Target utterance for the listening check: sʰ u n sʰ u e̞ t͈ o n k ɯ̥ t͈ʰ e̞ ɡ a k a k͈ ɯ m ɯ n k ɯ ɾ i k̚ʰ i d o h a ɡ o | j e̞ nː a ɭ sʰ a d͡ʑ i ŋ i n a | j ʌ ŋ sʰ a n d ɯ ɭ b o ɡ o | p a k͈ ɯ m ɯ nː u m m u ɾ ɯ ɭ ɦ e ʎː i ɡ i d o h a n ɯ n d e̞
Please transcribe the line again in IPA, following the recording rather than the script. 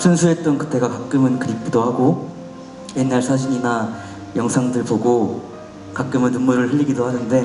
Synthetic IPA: sʰ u n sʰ u e̞ t͈ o n k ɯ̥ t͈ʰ e̞ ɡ a k a k͈ ɯ m ɯ n k ɯ ɾ i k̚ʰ i d o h a ɡ o | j e̞ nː a ɭ sʰ a d͡ʑ i ɲ i n a | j ʌ ŋ sʰ a ŋ d ɯ ɭ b o ɡ o | k a k͈ ɯ m ɯ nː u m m u ɾ ɯ ɭ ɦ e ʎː i ɡ i d o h a n ɯ n d e̞